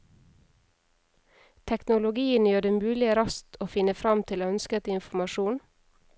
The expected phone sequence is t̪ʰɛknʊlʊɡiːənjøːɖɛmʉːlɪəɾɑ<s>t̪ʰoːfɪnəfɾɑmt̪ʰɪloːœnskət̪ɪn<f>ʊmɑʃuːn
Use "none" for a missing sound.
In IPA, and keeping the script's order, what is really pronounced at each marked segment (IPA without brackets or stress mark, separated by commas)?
s, f